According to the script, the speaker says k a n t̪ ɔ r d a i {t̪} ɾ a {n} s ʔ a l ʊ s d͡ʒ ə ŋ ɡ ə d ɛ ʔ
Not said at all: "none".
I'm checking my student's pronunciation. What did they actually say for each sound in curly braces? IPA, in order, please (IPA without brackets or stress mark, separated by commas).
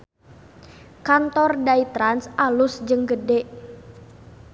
t̪, n